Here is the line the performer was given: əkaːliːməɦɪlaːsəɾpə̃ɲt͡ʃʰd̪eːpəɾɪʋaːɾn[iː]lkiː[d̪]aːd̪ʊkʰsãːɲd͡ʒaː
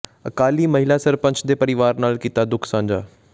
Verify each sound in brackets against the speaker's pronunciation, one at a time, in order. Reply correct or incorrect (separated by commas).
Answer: incorrect, incorrect